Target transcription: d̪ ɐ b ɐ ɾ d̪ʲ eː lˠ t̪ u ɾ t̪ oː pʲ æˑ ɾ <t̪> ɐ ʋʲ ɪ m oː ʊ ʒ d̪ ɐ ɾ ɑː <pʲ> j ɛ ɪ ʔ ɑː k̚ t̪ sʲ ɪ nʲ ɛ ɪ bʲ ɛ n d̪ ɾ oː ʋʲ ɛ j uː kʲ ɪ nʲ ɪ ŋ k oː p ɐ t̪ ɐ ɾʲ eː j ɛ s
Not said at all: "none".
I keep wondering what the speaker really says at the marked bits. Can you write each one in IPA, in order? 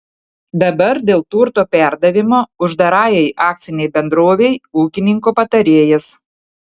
d̪, none

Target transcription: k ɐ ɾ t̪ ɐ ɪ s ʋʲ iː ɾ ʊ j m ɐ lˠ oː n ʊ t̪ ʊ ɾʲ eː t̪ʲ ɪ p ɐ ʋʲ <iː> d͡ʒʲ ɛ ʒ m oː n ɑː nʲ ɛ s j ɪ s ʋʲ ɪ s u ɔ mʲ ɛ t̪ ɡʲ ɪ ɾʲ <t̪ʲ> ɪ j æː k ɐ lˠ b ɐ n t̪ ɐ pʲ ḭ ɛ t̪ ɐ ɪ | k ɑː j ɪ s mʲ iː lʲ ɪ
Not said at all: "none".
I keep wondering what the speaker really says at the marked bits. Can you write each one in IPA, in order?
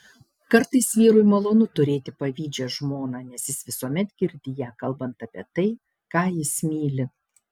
iː, d̪ʲ

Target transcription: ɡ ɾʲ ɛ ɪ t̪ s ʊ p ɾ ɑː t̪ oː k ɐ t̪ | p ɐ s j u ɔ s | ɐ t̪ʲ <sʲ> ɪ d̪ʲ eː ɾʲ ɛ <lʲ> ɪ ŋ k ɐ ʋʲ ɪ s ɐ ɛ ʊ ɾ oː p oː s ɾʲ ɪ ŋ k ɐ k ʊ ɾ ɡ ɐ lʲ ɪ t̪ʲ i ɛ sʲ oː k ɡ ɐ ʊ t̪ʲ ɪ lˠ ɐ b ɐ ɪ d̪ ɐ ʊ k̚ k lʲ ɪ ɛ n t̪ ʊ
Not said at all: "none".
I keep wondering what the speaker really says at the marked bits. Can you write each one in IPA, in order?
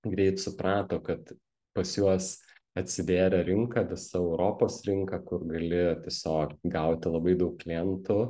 sʲ, ɾʲ

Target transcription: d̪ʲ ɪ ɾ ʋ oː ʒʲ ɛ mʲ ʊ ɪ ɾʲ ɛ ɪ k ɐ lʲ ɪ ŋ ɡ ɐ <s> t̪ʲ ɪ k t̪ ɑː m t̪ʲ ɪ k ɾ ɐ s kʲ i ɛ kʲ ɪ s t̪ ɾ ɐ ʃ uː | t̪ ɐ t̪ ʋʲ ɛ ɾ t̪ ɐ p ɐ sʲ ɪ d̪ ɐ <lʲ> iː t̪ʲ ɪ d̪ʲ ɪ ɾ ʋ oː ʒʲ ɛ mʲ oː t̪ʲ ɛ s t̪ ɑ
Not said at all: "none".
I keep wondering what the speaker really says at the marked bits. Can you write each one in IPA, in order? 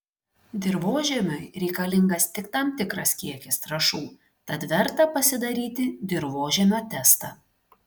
s, ɾʲ

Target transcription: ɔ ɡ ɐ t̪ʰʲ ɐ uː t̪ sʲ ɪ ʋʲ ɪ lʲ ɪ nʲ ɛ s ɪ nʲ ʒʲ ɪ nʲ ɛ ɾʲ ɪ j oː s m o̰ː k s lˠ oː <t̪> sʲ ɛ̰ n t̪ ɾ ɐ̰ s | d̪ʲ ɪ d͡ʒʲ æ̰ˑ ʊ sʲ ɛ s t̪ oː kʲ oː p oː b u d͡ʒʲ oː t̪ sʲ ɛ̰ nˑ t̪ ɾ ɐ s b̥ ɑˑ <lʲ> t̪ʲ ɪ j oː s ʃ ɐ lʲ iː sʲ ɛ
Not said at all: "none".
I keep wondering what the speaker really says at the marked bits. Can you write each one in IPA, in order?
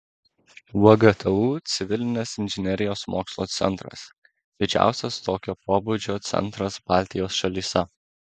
t̪, lʲ

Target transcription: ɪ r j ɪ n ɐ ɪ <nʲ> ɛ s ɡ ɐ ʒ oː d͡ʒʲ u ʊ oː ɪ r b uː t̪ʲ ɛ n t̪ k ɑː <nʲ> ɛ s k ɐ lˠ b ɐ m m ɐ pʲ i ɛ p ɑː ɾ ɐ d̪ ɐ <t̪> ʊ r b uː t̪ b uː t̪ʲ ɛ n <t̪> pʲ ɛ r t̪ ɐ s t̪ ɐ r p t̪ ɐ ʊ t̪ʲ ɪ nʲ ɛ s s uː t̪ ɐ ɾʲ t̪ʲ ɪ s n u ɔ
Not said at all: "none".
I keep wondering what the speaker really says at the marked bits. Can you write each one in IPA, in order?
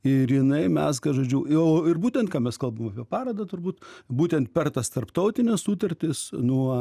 mʲ, mʲ, t̪, t̪

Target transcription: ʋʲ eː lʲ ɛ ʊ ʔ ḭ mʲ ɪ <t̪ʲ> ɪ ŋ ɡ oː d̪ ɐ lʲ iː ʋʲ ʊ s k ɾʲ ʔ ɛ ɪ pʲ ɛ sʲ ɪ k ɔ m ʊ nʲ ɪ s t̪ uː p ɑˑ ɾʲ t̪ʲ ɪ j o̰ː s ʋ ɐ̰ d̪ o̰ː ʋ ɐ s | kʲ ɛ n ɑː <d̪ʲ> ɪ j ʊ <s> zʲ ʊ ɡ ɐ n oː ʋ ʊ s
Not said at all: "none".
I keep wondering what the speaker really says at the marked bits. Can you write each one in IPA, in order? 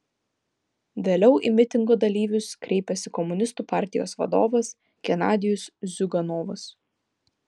t̪ʲ, d̪ʲ, s

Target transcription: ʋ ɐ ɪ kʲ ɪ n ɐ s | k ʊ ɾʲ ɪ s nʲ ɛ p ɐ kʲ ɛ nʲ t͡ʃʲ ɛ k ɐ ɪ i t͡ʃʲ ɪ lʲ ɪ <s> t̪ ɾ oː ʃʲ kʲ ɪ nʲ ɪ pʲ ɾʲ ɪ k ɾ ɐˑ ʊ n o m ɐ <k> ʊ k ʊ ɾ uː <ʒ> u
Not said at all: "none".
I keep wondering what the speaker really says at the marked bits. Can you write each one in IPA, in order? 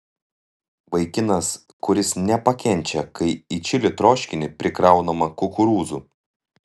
none, k, z

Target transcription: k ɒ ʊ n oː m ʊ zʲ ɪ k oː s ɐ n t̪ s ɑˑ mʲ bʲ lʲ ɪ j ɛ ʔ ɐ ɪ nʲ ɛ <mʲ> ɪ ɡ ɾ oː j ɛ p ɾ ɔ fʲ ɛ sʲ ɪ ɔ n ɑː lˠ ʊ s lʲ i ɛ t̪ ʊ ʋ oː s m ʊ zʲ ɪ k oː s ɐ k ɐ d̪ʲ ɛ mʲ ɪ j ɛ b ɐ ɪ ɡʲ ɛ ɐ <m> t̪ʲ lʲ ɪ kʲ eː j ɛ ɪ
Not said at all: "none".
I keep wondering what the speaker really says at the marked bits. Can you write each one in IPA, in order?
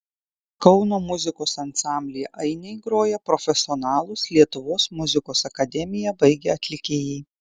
none, none

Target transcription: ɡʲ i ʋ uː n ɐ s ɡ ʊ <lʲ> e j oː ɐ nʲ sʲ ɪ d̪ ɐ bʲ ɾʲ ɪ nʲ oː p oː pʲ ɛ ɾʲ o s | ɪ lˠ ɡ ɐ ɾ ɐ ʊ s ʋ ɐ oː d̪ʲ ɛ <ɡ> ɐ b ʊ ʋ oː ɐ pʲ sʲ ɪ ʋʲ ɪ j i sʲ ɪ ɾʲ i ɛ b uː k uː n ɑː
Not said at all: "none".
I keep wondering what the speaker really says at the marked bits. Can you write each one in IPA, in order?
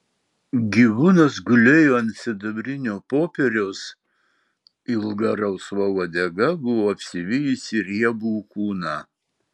lʲ, ɡ

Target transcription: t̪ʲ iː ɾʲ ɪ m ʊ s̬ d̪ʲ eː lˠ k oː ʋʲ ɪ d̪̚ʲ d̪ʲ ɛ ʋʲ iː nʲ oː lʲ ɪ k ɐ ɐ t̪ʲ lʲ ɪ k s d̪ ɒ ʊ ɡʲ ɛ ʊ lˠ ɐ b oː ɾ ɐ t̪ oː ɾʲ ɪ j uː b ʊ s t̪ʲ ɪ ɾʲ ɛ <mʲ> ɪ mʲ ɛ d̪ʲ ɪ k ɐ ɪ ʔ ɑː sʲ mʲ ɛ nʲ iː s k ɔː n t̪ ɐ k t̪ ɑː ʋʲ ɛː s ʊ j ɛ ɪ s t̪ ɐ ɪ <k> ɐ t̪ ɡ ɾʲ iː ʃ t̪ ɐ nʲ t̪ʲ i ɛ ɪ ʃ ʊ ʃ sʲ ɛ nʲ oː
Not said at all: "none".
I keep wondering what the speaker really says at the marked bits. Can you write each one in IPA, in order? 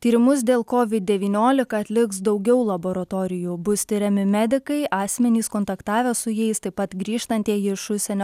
mʲ, p

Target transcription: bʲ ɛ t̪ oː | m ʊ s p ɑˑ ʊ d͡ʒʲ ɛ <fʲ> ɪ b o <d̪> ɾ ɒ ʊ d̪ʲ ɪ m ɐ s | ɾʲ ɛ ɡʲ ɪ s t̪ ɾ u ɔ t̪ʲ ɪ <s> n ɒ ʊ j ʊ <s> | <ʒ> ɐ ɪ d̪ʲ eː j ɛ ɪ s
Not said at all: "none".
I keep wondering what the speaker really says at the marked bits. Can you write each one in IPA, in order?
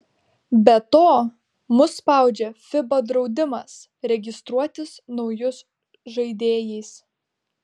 fʲ, d̪, s, s, ʒ

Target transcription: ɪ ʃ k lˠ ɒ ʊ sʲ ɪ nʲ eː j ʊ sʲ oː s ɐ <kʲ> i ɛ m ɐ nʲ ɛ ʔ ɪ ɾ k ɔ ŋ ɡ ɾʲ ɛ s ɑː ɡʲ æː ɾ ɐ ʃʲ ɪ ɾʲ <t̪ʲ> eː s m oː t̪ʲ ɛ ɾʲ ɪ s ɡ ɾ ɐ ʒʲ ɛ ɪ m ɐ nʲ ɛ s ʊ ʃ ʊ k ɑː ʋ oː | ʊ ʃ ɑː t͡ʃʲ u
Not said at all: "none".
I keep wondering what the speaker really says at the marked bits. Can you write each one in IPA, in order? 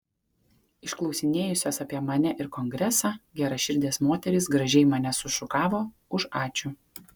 pʲ, d̪ʲ

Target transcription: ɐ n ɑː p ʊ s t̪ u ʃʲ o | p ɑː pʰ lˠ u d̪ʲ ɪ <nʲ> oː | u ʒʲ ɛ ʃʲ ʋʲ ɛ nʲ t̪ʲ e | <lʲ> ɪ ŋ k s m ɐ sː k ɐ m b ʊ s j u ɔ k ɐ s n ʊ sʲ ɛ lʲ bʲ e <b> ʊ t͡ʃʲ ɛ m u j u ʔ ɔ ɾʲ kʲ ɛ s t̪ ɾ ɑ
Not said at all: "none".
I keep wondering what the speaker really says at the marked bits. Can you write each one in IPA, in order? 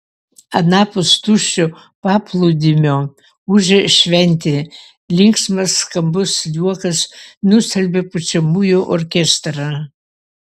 mʲ, lʲ, p

